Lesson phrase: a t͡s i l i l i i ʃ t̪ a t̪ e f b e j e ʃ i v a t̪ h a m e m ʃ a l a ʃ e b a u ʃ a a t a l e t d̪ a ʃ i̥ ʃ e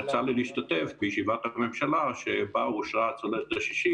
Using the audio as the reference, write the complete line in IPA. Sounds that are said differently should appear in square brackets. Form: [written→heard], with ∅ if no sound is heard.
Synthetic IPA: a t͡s [i→a] l i l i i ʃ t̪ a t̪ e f b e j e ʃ i v a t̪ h a m e m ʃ a l a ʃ e b a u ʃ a a [t→t͡s] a l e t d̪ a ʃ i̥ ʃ [e→i]